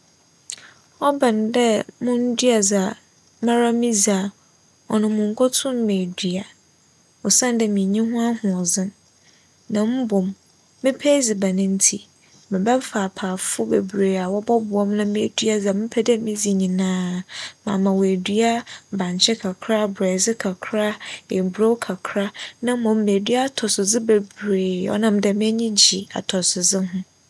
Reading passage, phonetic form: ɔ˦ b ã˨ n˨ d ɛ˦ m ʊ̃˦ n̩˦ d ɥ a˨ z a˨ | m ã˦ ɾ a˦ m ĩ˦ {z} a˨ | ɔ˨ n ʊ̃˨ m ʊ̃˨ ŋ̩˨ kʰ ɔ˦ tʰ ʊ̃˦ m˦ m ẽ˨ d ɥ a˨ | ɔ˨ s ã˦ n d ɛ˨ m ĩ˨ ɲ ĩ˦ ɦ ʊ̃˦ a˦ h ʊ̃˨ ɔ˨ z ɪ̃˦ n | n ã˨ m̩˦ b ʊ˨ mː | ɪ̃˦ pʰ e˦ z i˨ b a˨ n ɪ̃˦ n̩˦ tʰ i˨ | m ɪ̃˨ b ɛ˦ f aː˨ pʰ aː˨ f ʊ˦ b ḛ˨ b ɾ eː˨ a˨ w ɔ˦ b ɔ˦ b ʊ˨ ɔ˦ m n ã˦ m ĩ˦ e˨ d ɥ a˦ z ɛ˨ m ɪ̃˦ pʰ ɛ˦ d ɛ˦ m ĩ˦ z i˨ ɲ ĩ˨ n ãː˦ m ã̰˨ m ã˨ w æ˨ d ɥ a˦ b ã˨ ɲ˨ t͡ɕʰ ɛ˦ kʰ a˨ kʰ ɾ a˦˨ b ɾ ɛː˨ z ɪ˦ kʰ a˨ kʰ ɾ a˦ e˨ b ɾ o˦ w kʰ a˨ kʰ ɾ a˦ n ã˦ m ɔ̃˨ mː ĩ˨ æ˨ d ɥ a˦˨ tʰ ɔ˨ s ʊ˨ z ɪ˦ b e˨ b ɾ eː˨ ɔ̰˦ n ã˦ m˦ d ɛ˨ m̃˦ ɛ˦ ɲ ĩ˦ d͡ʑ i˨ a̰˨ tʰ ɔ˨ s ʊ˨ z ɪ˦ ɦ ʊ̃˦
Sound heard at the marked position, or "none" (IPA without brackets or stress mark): z